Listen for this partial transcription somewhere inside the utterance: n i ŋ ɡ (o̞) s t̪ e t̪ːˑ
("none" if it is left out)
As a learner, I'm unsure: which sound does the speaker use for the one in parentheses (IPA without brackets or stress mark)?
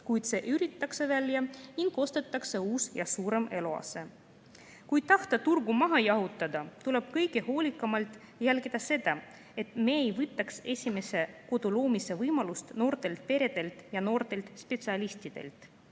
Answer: o̞